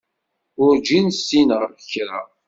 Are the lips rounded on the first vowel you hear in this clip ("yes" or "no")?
yes